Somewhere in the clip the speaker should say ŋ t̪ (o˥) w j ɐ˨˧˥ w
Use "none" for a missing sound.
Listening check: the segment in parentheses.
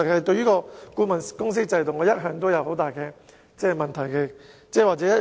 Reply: o˥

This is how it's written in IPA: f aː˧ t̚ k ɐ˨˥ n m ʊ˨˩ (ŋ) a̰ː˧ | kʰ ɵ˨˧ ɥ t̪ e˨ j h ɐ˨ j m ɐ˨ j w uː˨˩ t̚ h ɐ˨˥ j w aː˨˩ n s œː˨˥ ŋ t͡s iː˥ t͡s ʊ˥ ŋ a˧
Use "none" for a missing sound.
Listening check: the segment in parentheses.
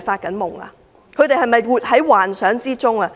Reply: ŋ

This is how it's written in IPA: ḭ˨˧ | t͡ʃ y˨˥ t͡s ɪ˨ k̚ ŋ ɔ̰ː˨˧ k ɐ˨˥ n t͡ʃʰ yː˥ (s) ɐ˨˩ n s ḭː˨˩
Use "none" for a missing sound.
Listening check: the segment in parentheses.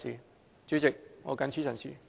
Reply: s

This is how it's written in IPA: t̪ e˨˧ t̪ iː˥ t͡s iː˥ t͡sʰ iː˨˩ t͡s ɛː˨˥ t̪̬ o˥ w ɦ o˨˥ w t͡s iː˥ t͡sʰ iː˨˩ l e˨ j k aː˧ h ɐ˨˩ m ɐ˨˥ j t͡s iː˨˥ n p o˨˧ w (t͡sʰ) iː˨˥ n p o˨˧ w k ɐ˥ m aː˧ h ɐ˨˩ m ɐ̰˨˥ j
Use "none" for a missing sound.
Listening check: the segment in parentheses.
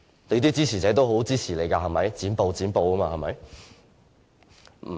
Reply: t͡s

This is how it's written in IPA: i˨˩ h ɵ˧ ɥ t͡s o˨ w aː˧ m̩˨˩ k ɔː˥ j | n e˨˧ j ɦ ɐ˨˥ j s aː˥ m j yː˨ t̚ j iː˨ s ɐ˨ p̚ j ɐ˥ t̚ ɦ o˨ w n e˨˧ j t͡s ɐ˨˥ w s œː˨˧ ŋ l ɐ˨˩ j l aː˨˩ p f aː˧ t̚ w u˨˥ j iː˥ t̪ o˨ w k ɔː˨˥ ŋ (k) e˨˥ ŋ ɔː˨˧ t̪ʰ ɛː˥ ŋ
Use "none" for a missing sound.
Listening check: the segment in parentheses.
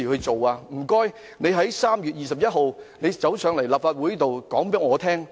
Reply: p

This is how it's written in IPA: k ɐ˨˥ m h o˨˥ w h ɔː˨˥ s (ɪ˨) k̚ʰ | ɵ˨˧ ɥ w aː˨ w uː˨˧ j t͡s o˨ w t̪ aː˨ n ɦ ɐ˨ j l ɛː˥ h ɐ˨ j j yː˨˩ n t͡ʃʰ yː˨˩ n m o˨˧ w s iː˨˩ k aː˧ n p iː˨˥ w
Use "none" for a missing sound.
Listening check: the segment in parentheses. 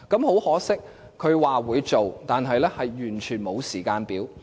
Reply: ɪ˥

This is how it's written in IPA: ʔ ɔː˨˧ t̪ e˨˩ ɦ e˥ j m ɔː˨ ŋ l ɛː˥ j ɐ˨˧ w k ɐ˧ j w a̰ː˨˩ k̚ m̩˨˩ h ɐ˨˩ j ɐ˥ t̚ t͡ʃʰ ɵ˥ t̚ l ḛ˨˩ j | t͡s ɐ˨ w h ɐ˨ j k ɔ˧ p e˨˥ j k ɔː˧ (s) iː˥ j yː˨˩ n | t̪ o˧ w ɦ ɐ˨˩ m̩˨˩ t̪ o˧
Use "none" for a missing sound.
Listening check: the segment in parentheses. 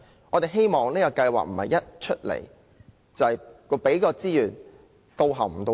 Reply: t͡s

